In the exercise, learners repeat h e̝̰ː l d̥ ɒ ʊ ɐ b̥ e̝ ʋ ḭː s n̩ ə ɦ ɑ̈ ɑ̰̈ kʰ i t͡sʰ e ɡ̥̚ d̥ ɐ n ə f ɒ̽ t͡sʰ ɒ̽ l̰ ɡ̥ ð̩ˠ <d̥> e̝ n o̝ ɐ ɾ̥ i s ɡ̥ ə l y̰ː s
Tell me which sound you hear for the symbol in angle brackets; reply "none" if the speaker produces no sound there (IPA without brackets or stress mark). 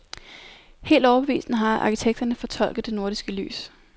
d̥